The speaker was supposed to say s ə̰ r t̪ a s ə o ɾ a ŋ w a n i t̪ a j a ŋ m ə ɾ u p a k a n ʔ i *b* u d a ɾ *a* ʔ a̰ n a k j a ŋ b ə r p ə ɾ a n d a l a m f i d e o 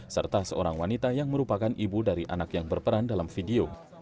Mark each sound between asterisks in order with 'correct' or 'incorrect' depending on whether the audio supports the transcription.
correct, incorrect: i

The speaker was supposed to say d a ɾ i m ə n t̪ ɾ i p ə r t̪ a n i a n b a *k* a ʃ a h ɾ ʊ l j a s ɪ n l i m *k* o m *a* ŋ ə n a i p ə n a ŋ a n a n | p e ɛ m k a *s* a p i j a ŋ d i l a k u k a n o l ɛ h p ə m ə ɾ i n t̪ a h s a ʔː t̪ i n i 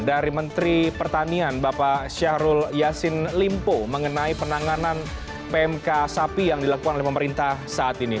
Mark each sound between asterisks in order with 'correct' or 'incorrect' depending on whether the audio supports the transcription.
incorrect: p, incorrect: p, incorrect: ə, correct

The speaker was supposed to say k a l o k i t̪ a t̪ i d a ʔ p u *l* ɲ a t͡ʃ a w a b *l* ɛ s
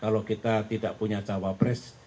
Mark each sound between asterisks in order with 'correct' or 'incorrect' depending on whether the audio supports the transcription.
incorrect: none, incorrect: ɾ

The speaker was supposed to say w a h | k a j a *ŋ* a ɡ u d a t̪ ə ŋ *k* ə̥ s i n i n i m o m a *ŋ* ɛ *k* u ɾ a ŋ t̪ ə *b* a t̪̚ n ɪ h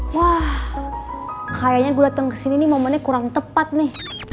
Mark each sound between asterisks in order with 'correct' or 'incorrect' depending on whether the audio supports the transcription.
incorrect: ɲ, correct, incorrect: n, correct, incorrect: p

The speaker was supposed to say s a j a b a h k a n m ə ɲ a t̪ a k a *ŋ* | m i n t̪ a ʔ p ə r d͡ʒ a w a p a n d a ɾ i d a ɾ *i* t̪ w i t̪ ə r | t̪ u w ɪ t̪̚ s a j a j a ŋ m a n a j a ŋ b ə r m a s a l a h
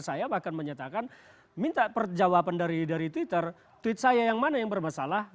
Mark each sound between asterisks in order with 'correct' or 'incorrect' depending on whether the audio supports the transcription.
incorrect: n, correct

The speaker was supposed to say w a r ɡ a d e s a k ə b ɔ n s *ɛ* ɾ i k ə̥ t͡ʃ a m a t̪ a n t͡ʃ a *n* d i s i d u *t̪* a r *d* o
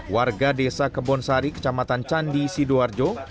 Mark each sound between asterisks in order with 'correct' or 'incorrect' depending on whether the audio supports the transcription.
incorrect: a, correct, incorrect: none, incorrect: d͡ʒ

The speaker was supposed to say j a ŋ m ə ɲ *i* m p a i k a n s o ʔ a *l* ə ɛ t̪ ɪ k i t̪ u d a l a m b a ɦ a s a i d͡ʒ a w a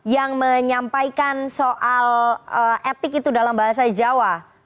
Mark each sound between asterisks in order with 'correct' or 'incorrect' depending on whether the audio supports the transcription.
incorrect: a, correct

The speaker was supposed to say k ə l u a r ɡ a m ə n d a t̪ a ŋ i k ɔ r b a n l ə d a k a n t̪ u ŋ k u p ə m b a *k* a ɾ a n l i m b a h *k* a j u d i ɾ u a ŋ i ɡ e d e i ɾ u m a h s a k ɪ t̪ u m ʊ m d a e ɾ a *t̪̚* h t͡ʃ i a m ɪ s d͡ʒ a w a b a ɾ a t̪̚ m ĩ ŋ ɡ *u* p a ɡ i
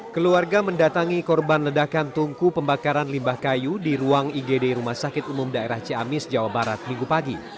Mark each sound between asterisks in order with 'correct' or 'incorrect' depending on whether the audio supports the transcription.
correct, correct, incorrect: none, correct

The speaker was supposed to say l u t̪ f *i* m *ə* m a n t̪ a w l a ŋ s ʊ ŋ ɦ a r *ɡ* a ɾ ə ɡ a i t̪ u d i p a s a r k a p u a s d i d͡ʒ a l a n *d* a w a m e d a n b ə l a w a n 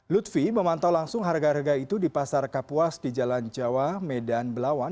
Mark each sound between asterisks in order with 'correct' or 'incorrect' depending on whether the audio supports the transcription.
correct, correct, correct, incorrect: d͡ʒ

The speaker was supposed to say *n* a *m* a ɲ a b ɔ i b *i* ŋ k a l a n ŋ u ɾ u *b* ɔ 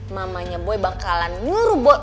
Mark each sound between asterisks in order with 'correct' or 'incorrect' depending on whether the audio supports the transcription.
incorrect: m, correct, incorrect: a, correct

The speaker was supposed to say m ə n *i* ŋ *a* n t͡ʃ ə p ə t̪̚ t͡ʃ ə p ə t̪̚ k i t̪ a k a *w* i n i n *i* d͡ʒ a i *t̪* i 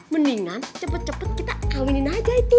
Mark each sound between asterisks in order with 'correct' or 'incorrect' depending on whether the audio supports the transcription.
correct, correct, correct, incorrect: a, correct

